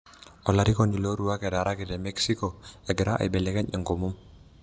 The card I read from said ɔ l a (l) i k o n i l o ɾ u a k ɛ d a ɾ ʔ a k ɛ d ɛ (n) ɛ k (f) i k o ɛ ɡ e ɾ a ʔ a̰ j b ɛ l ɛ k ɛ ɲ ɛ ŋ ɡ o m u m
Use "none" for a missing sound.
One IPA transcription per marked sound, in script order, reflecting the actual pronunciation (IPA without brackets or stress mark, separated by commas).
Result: ɾ, m, s